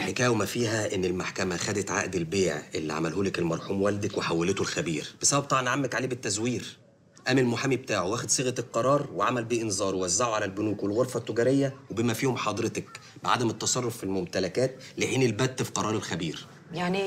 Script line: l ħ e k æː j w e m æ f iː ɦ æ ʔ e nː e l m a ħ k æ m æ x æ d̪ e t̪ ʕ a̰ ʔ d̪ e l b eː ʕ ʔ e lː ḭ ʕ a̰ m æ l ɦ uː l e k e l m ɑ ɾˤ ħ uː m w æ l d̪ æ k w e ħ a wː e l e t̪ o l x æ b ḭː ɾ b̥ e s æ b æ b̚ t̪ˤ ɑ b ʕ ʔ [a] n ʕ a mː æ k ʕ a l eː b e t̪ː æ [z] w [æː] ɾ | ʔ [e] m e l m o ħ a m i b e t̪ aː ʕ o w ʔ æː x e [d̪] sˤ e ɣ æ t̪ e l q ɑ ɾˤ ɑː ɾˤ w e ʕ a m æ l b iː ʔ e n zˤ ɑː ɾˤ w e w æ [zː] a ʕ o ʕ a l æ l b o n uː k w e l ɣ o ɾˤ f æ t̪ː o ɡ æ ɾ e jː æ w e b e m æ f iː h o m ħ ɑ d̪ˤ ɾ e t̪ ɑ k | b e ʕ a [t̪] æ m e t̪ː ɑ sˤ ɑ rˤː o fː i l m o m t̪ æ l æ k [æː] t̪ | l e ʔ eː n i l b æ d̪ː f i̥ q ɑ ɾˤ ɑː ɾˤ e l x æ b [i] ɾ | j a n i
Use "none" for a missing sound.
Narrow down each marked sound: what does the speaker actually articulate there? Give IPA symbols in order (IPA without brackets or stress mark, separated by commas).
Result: ɑ, z, iː, æ, d̪, zː, d̪, æː, iː